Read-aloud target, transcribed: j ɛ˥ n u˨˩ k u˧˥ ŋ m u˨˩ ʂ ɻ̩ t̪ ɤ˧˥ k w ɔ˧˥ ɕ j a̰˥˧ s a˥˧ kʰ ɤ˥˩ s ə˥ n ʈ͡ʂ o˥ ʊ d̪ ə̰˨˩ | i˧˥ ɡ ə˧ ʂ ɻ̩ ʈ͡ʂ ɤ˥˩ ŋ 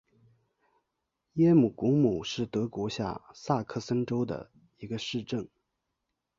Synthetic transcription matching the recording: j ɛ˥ m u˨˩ k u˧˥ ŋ m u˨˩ ʂ ɻ̩ t̪ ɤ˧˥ k w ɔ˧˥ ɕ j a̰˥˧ s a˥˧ kʰ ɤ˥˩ s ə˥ n ʈ͡ʂ o˥ ʊ d̪ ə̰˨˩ | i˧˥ ɡ ə˧ ʂ ɻ̩ ʈ͡ʂ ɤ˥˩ ŋ